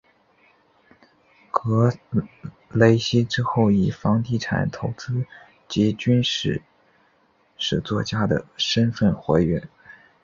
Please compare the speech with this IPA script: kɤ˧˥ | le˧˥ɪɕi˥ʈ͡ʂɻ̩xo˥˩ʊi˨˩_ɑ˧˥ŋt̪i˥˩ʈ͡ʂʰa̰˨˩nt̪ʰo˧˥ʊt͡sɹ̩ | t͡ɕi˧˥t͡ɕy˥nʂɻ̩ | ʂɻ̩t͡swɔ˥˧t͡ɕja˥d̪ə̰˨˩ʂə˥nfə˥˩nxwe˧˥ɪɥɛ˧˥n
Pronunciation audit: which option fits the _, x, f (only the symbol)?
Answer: f